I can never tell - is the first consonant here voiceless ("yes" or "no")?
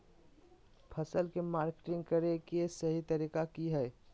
yes